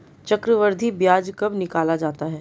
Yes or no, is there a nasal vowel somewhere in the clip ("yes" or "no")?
no